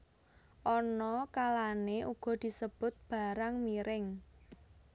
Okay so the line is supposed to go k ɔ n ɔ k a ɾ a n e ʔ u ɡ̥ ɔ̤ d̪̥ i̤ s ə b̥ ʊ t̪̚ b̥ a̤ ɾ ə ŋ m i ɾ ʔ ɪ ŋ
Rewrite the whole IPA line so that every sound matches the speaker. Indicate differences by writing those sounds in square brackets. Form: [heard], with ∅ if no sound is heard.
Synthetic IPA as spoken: [ʔ] ɔ n ɔ k a [l] a n e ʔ u ɡ̥ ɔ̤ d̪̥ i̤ s ə b̥ ʊ t̪̚ b̥ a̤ ɾ [a] ŋ m i ɾ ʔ ɪ ŋ